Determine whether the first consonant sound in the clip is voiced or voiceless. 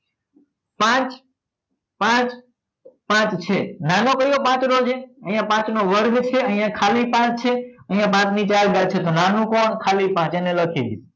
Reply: voiceless